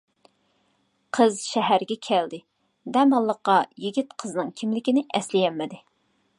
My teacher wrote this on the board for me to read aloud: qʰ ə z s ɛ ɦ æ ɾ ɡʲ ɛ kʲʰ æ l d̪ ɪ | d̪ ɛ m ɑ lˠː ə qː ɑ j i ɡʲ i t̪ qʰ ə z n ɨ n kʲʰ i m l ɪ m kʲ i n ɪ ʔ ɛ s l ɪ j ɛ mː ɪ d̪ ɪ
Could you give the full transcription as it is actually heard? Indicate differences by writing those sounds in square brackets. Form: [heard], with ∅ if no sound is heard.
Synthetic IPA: qʰ ə z [ʃ] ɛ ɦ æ ɾ ɡʲ ɛ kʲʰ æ l d̪ ɪ | d̪ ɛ m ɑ lˠː ə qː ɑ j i ɡʲ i t̪ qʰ ə z n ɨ [ŋ] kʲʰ i m l ɪ [∅] kʲ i n ɪ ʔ ɛ s l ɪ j ɛ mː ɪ d̪ ɪ